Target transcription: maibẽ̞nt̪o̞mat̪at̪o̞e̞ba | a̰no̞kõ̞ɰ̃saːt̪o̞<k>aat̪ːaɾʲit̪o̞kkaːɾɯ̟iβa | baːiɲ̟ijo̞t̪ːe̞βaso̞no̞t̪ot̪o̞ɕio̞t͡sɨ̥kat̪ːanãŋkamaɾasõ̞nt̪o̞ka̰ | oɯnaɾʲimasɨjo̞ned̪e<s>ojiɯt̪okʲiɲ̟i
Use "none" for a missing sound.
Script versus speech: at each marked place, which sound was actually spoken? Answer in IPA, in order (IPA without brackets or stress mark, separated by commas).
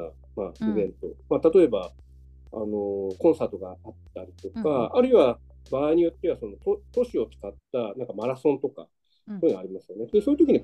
ɡ, s